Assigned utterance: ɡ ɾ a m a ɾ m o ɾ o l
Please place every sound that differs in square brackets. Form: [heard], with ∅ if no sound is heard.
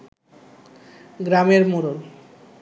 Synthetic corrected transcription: ɡ ɾ a m [e] ɾ m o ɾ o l